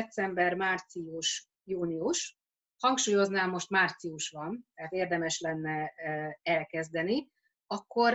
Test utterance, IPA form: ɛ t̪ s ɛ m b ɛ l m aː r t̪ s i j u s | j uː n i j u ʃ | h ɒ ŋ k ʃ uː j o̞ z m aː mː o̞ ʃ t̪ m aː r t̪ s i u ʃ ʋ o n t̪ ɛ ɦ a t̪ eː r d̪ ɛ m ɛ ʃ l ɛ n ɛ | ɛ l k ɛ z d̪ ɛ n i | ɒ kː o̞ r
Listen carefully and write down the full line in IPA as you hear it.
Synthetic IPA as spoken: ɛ t̪ s ɛ m b ɛ r m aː r t̪ s i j u ʃ | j uː n i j u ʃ | h ɒ ŋ k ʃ uː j o̞ z n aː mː o̞ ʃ t̪ m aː r t̪ s i u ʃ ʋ ɒ n t̪ ɛ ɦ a t̪ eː r d̪ ɛ m ɛ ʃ l ɛ nː ɛ | ɛ l k ɛ z d̪ ɛ n i | ɒ kː o̞ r